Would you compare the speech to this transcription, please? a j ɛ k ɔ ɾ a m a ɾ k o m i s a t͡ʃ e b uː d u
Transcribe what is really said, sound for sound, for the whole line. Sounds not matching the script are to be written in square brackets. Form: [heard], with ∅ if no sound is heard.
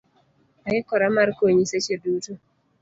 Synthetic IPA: a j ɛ k ɔ ɾ a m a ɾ k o [ɲ] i s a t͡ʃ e [d] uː [t] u